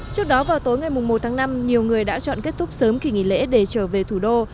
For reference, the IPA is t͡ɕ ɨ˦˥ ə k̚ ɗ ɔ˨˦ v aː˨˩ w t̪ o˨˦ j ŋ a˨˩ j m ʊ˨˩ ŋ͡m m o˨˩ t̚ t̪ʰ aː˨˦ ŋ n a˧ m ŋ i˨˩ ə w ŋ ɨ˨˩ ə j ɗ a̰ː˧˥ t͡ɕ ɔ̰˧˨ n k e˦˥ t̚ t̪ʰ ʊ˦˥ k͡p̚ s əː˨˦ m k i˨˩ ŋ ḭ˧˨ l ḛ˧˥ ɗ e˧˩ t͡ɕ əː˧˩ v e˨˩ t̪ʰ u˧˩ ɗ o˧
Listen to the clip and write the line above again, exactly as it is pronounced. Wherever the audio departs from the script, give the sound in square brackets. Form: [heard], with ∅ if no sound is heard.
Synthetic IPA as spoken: t͡ɕ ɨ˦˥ ə k̚ ɗ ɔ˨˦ v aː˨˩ w t̪ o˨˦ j ŋ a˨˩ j m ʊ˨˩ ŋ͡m m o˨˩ t̚ t̪ʰ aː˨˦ ŋ n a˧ m [ɲ] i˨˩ ə w ŋ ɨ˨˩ ə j ɗ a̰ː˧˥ t͡ɕ ɔ̰˧˨ n k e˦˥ t̚ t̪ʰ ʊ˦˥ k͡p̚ s əː˨˦ m k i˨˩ ŋ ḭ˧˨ l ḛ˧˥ ɗ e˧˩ t͡ɕ əː˧˩ v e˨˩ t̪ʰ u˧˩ ɗ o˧